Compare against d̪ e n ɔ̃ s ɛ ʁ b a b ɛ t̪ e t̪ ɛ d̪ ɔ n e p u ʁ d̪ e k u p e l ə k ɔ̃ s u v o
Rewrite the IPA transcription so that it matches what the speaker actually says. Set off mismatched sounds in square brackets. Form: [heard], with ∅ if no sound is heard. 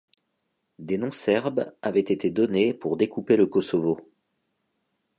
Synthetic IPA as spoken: d̪ e n ɔ̃ s ɛ ʁ b a [v] ɛ t̪ e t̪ [e] d̪ ɔ n e p u ʁ d̪ e k u p e l ə k [ɔ] s [ɔ] v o